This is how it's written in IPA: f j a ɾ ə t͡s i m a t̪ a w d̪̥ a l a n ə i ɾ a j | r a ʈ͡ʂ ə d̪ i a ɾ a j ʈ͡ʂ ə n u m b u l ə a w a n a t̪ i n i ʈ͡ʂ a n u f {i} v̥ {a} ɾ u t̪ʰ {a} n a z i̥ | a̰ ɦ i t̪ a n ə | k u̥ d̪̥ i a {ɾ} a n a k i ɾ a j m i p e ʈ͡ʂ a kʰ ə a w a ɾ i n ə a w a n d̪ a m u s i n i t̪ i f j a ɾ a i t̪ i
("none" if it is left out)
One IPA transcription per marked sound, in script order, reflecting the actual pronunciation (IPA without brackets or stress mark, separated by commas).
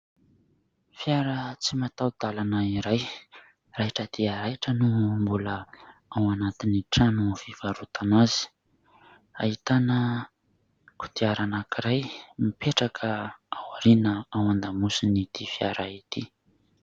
i, a, a, ɾ